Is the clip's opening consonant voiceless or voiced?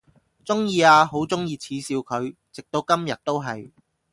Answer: voiceless